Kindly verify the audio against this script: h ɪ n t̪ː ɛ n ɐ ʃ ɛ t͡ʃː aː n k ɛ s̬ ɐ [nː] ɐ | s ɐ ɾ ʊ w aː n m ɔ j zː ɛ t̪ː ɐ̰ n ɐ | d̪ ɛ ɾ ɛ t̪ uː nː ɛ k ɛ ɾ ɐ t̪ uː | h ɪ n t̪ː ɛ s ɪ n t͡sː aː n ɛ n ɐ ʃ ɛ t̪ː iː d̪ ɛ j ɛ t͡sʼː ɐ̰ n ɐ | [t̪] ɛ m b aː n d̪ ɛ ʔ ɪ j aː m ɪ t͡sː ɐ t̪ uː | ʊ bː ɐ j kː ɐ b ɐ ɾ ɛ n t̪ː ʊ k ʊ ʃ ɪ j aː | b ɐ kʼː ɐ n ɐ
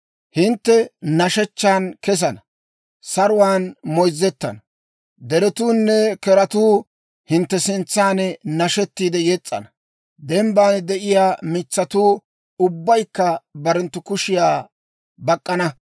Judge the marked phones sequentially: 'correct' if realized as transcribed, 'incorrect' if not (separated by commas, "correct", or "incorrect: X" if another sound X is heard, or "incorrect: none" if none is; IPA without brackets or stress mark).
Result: incorrect: n, incorrect: d̪